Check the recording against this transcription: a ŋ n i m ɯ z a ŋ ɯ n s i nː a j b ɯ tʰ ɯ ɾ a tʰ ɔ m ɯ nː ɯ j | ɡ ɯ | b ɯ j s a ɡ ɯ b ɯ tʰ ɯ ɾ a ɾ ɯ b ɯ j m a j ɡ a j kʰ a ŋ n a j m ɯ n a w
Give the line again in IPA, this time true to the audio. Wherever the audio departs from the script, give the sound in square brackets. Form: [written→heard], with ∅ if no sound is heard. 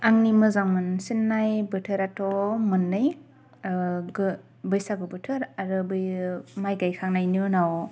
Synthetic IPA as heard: a ŋ n i m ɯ z a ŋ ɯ n s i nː a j b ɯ tʰ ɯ ɾ a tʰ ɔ m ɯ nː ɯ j | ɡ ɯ | b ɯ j s a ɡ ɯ b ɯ tʰ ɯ ɾ a ɾ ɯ b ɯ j m a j ɡ a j kʰ a ŋ n a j [m→n] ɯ n a w